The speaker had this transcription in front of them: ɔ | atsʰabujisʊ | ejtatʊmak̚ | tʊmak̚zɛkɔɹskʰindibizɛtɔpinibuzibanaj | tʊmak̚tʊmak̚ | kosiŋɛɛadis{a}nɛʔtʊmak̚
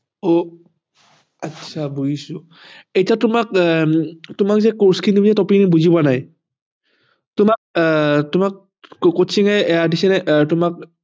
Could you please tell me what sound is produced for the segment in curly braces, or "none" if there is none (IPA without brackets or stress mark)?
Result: ɛ